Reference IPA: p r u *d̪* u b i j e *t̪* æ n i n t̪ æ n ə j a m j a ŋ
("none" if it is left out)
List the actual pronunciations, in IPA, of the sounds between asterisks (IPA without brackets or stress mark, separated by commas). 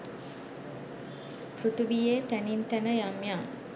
t̪, t̪